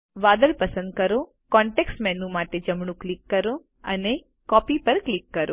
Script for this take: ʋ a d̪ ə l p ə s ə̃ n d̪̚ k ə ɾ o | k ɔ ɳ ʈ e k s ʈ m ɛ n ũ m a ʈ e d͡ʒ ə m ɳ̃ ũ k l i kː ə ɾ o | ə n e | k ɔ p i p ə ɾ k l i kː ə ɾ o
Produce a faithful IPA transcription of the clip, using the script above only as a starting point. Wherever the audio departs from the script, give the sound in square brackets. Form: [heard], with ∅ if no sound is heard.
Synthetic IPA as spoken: ʋ a d̪ ə l p ə s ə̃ n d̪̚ k ə ɾ o | k ɔ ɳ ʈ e k s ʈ m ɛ n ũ m a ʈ e d͡ʒ ə m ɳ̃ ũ k l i kː ə ɾ o | ə n e | k ɔ p i p ə ɾ k l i kː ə ɾ o